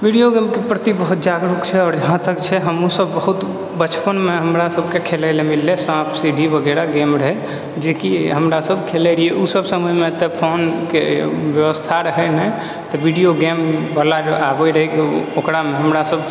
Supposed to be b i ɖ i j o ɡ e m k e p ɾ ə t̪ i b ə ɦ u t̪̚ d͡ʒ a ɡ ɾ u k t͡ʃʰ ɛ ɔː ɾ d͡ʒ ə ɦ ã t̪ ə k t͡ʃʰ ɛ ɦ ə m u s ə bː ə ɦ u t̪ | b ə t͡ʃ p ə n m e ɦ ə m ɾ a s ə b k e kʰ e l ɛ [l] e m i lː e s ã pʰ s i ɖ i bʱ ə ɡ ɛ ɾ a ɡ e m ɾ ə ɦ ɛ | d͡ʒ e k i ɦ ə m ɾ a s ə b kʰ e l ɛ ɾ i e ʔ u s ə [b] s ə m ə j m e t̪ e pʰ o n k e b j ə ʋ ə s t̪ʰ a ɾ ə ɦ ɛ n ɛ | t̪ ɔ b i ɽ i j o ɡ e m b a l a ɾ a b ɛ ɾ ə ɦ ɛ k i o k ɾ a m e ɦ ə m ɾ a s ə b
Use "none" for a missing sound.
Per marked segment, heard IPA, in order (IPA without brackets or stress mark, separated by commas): l, b